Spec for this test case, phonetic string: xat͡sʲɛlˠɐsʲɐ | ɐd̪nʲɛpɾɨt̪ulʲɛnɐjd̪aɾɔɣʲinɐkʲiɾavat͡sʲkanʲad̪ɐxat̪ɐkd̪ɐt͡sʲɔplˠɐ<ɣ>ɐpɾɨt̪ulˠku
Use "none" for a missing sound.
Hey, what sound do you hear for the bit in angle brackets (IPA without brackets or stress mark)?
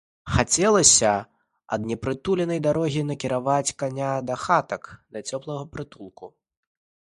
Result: ɣ